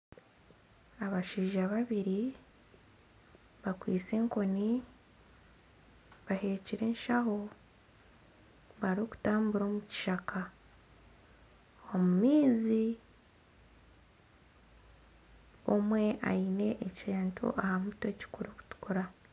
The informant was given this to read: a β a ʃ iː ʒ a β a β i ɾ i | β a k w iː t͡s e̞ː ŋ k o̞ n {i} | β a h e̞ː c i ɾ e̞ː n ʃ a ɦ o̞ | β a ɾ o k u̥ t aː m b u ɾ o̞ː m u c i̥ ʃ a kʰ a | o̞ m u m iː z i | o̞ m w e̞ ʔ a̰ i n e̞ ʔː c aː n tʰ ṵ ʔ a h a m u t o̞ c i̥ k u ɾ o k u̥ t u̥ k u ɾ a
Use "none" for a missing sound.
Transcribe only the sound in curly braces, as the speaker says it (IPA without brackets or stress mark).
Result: i